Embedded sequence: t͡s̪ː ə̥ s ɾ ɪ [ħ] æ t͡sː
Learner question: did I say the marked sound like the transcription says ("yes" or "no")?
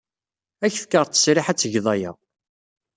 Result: yes